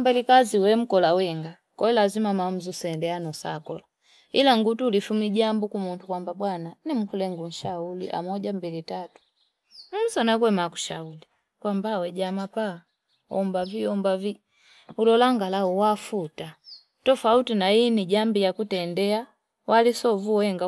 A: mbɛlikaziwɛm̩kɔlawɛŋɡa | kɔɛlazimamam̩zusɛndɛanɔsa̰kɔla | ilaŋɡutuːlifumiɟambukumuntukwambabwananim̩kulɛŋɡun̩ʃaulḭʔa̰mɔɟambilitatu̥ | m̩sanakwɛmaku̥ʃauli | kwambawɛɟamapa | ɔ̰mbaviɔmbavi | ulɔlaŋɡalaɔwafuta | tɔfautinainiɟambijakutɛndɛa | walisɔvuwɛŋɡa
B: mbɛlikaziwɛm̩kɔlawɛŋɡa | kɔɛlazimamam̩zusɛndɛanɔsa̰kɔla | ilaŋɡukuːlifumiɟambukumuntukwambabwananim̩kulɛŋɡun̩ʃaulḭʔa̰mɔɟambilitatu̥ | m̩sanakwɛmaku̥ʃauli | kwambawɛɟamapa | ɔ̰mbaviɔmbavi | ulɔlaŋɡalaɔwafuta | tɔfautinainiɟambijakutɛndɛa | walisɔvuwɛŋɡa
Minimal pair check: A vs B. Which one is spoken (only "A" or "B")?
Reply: A